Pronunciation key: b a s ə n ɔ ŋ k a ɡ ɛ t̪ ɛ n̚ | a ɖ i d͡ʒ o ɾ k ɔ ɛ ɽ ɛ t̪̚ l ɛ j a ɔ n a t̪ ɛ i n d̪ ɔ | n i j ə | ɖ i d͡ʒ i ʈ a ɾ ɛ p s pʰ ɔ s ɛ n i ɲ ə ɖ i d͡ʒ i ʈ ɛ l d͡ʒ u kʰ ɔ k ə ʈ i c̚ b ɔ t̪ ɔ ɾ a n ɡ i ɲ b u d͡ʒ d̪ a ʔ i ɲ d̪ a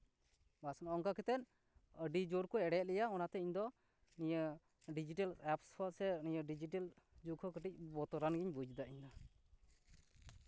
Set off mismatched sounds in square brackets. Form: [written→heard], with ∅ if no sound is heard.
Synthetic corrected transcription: b a s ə n ɔ ŋ k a [ɡ→k] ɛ t̪ ɛ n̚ | [a→ə] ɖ i d͡ʒ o ɾ k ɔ ɛ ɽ ɛ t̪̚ l ɛ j a ɔ n a t̪ ɛ i [n→ɲ] d̪ ɔ | n i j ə | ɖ i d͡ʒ i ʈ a [ɾ→l] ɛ p s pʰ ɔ s ɛ n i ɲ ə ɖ i d͡ʒ i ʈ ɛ l d͡ʒ u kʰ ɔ k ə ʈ i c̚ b ɔ t̪ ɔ ɾ a n ɡ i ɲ b u d͡ʒ d̪ a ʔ i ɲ d̪ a